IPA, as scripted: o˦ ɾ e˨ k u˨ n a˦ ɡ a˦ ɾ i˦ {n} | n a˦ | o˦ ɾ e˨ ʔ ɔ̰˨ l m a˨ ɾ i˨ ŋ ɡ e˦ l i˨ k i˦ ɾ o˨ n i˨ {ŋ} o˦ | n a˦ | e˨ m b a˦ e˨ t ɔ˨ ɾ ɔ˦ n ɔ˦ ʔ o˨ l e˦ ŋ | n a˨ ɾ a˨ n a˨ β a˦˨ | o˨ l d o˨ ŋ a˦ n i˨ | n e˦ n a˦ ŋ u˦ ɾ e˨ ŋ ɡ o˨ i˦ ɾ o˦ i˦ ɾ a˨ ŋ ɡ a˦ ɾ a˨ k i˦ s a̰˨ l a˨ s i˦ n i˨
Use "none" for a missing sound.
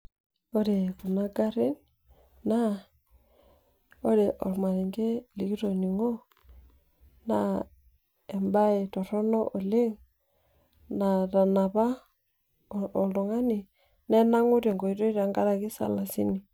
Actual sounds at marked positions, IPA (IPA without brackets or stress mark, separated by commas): n, ŋ